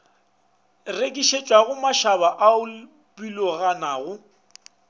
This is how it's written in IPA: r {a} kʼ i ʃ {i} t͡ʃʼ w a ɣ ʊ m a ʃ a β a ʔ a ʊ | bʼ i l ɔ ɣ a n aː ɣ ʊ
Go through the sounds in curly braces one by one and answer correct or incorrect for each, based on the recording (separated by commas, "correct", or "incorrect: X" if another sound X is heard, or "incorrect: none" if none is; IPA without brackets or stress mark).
incorrect: e, incorrect: e